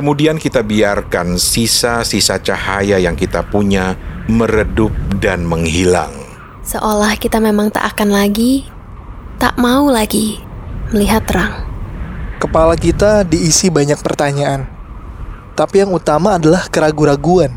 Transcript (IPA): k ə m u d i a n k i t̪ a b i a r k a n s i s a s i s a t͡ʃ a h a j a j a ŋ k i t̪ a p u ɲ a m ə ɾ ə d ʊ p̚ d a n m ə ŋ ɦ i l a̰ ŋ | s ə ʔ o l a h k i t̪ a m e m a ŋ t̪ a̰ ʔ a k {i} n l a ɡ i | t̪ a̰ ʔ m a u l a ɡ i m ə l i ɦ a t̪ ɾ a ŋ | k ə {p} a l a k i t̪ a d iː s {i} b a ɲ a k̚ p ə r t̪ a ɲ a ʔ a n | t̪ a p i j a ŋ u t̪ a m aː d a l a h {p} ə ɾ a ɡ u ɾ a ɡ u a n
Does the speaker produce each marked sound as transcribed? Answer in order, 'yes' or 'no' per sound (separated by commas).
no, yes, yes, no